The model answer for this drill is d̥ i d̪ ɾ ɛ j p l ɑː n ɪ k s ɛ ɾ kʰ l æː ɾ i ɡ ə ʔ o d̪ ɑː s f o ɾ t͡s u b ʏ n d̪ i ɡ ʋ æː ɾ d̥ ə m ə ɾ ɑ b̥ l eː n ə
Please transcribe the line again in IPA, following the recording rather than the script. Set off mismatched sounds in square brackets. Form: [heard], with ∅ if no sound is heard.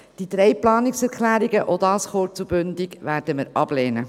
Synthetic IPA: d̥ i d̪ ɾ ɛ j p l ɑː n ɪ k s ɛ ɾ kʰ l æː ɾ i ɡ ə ʔ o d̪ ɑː s [χ] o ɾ t͡s u b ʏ n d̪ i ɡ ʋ æː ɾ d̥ ə m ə ɾ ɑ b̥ l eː n ə